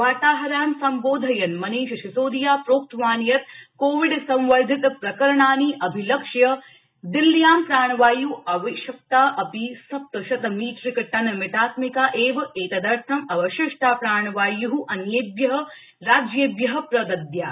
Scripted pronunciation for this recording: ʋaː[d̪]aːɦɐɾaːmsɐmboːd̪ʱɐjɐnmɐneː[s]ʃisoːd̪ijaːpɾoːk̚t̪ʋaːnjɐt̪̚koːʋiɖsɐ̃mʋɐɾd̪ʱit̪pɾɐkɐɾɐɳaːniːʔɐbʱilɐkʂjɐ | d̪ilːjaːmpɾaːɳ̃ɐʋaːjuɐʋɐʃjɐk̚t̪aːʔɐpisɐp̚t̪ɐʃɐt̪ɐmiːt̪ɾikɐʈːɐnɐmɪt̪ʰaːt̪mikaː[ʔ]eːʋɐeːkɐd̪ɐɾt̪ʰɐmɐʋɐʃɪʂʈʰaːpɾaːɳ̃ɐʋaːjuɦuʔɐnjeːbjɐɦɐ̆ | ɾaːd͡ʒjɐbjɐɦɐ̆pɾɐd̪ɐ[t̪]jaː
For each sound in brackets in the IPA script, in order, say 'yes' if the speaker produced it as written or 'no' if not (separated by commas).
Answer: no, no, yes, no